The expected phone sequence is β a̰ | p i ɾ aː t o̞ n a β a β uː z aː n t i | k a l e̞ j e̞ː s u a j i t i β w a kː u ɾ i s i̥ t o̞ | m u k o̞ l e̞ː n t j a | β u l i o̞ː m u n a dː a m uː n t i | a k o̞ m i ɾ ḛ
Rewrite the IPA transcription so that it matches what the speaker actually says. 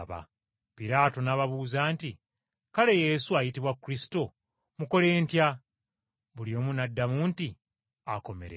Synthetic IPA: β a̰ | p i ɾ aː t o̞ n a β a β uː z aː n t i | k a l e̞ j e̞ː s u a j i t i β w a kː u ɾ i s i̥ t o̞ | m u k o̞ l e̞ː n t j a | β u l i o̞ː m u n a dː a m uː n t i | a k o̞ m e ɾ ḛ

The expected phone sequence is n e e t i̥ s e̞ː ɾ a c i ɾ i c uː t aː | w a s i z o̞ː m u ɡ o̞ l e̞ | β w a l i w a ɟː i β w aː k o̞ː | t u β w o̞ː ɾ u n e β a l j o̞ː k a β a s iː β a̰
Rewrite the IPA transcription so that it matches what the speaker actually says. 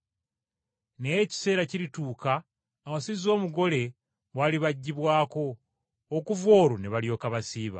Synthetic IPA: n e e c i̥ s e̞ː ɾ a c i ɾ i t uː k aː | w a s i z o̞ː m u ɡ o̞ l e̞ | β w a l i β a ɟː i β w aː k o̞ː | k u v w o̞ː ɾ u n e β a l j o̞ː k a β a s iː β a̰

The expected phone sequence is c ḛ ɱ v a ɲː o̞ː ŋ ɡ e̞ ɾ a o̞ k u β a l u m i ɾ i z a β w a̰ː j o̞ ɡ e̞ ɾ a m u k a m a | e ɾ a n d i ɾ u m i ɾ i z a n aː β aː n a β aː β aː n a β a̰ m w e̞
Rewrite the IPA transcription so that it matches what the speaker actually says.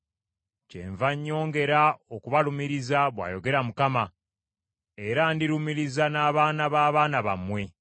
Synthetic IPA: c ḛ ɱ v a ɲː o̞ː ŋ ɡ e̞ ɾ a o̞ k u β a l u m i ɾ i z a β w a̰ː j o̞ ɡ e̞ ɾ a m u k a m a | e ɾ a n d i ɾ u m i ɾ i z a n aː β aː n a β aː β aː n a β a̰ m w e̞

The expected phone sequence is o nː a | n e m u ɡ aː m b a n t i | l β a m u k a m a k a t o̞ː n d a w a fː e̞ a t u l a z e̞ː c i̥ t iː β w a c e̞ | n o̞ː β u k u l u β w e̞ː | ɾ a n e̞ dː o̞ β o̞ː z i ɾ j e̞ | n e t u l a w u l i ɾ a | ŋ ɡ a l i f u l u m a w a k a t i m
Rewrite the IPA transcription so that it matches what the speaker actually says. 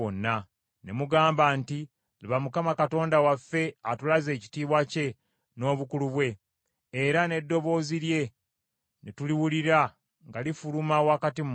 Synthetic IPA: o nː a | n e m u ɡ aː m b a n t i | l β a m u k a m a k a t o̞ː n d a w a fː e̞ a t u l a z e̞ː c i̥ t iː β w a c e̞ | n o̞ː β u k u l u β w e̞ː | ɾ a n e̞ dː o̞ β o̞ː z i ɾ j e̞ | n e t u l i w u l i ɾ a | ŋ ɡ a l i f u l u m a w a k a t i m

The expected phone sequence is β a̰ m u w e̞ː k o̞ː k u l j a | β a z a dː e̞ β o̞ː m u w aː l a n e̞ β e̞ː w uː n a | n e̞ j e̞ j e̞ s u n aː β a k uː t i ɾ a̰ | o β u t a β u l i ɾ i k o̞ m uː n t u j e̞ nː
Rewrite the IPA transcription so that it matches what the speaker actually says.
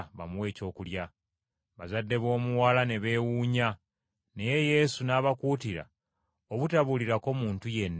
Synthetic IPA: β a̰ m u w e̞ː c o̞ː k u l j a | β a z a dː e̞ β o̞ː m u w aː l a n e̞ β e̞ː w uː ɲ a | n e̞ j e̞ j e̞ s u n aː β a k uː t i ɾ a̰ | o β u t a β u l i ɾ a k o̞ m uː n t u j e̞ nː

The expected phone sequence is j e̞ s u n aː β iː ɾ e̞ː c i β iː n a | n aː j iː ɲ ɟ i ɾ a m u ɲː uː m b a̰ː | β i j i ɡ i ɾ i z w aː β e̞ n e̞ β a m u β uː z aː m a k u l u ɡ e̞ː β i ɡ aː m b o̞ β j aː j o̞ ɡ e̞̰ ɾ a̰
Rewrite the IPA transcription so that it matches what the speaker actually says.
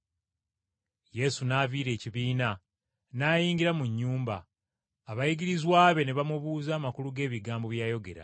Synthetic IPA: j e̞ s u n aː v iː ɾ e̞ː c i β iː n a | n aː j iː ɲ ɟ i ɾ a m u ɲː uː m b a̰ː | β a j i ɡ i ɾ i z w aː β e̞ n e̞ β a m u β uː z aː m a k u l u ɡ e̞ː β i ɡ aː m b o̞ β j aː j o̞ ɡ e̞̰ ɾ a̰

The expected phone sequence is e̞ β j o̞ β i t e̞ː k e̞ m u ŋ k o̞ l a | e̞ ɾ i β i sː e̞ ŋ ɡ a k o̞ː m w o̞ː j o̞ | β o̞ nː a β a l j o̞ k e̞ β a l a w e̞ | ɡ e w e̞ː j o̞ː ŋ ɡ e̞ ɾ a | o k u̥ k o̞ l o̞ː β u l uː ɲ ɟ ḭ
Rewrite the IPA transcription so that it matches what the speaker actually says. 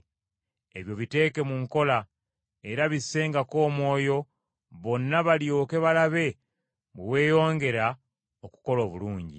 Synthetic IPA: e̞ β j o̞ β i t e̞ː k e̞ m u ŋ k o̞ l a | e̞ ɾ a β i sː e̞ ŋ ɡ a k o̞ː m w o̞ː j o̞ | β o̞ nː a β a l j o̞ k e̞ β a l a β e̞ | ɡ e w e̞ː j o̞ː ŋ ɡ e̞ ɾ a | o k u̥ k o̞ l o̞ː β u l uː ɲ ɟ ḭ

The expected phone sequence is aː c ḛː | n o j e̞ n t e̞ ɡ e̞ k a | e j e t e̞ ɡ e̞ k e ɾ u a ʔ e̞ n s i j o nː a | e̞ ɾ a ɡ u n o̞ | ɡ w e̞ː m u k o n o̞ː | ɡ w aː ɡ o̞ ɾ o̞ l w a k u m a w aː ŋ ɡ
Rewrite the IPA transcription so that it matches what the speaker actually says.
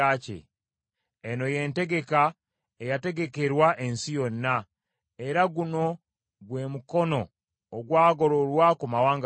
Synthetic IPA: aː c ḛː | n o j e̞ n t e̞ ɡ e̞ k a | e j a t e̞ ɡ e̞ k e ɾ w a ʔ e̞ n s i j o nː a | e̞ ɾ a ɡ u n o̞ | ɡ w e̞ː m u k o n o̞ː | ɡ w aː ɡ o̞ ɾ o̞ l w a k u m a w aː ŋ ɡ

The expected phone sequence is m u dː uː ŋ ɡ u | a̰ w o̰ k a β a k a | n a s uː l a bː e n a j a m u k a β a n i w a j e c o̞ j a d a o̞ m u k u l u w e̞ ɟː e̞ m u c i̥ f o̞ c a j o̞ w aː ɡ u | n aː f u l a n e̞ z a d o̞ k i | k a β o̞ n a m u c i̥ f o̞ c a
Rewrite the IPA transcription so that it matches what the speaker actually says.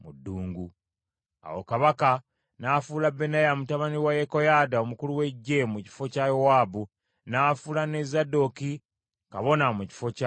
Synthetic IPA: m u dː uː ŋ ɡ u | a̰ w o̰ k a β a k a | n a f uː l a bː e n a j a m u t a β a n i w a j e k o̞ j a d a o̞ m u k u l u w e̞ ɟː e̞ m u c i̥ f o̞ c a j o̞ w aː b u | n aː f u l a n e̞ z a d o̞ k i | k a β o̞ n a m u c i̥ f o̞ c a

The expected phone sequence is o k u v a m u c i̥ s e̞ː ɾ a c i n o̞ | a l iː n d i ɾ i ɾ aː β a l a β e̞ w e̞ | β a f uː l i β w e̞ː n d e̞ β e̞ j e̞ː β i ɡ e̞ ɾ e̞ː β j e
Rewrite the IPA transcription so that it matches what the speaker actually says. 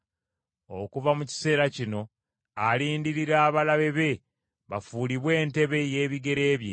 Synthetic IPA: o k u v a m u c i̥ s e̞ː ɾ a c i n o̞ | a l iː n d i ɾ i ɾ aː β a l a β e̞ β e̞ | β a f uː l i β w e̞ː n t e̞ β e̞ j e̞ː β i ɡ e̞ ɾ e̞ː β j e

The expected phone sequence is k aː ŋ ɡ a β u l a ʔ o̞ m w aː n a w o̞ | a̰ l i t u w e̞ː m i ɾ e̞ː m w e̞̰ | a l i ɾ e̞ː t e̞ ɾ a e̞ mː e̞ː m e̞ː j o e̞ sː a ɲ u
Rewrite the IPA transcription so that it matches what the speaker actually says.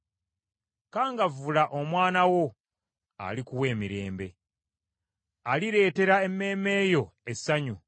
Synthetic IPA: k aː ŋ ɡ a v u l a ʔ o̞ m w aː n a w o̞ | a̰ l i k u w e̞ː m i ɾ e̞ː m b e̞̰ | a l i ɾ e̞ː t e̞ ɾ a e̞ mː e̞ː m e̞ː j o e̞ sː a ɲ u

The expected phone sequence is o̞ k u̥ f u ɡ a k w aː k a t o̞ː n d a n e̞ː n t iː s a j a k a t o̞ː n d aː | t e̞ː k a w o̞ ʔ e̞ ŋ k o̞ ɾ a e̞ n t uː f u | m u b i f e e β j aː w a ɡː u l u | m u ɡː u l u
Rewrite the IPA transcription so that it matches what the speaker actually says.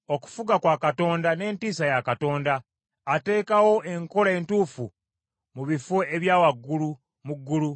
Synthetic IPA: o̞ k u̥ f u ɡ a k w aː k a t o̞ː n d a n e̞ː n t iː s a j a k a t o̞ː n d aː | t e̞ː k a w o̞ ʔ e̞ ŋ k o̞ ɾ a e̞ n t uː f u | m u β i f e e β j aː w a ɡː u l u | m u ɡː u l u

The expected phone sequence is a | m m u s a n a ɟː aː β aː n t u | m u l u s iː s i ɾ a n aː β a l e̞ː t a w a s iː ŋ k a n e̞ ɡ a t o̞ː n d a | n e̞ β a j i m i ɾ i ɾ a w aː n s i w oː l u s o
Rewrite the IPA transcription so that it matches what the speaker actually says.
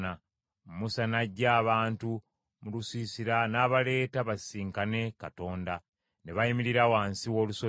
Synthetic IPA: a | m m u s a n a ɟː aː β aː n t u | m u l u s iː s i ɾ a n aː β a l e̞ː t a β a s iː ŋ k a n e̞ k a t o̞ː n d a | n e̞ β a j i m i ɾ i ɾ a w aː n s i w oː l u s o

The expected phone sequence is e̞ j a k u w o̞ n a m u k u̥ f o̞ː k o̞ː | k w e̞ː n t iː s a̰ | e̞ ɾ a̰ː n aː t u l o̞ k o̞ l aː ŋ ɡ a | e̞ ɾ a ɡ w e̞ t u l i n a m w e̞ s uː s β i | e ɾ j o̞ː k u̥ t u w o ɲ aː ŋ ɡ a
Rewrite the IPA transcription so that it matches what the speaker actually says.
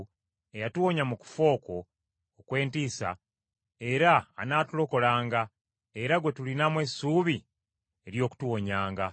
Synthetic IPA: e̞ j a t u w o̞ ɲ a m u k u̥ f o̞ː k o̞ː | k w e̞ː n t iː s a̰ | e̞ ɾ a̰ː n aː t u l o̞ k o̞ l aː ŋ ɡ a | e̞ ɾ a ɡ w e̞ t u l i n a m w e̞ s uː β i | e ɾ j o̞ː k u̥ t u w o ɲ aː ŋ ɡ a

